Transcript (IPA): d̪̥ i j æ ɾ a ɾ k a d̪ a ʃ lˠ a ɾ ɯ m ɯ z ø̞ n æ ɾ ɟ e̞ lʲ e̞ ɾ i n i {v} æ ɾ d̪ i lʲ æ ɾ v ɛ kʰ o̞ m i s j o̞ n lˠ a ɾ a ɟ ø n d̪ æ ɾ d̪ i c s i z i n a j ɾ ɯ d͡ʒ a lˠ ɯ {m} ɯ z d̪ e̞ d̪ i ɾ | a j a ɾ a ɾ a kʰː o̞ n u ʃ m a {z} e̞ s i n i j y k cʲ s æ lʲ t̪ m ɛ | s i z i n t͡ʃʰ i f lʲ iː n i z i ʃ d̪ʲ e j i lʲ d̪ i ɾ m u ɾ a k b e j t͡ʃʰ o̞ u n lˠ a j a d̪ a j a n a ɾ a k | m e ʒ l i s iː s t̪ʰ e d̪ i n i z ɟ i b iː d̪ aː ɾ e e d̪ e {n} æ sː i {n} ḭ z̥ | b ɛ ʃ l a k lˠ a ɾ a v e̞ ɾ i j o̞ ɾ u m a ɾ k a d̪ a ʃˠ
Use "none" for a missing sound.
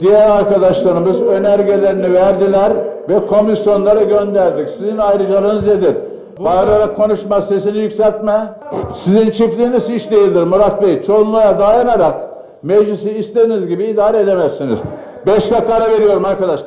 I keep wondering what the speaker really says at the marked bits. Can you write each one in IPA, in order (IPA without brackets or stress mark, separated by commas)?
v, n, s, m, n